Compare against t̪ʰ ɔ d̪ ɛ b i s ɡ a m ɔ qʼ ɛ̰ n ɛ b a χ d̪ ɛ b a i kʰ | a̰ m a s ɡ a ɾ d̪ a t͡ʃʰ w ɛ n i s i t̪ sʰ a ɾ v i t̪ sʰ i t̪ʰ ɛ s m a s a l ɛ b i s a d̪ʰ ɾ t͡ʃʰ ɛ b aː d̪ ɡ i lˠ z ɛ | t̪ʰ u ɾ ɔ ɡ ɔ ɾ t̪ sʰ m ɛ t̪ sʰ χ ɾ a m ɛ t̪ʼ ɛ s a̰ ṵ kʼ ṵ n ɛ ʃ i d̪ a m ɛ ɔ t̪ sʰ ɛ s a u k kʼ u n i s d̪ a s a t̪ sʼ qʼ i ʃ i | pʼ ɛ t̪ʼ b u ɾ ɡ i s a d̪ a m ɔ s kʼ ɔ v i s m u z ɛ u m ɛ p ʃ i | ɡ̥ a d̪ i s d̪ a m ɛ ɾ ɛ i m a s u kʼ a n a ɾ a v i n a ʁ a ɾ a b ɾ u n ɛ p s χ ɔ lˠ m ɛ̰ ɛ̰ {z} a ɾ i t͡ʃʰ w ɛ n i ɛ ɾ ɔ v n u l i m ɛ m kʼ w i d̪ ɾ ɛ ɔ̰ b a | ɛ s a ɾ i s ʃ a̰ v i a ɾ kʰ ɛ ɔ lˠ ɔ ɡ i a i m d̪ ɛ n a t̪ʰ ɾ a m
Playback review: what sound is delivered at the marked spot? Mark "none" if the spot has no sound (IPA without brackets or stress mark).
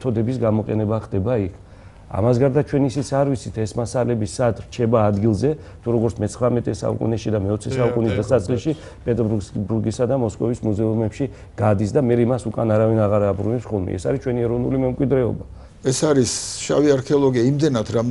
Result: s